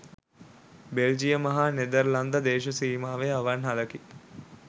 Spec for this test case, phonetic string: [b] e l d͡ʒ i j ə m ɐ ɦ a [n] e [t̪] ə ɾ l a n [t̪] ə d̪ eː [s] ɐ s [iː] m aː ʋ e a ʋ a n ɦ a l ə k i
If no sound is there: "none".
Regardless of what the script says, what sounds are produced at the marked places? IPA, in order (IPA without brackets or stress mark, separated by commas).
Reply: b, n, d̪, d̪, ʃ, iː